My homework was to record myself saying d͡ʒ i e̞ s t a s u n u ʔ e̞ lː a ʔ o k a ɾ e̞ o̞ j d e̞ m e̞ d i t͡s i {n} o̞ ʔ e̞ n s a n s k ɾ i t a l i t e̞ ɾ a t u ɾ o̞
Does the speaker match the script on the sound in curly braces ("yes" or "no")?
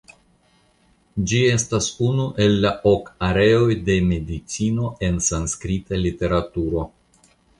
yes